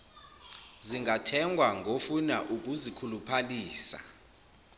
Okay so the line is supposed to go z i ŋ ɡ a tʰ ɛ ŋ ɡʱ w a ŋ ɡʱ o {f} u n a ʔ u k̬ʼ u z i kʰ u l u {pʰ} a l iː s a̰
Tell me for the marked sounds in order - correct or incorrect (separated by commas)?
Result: correct, correct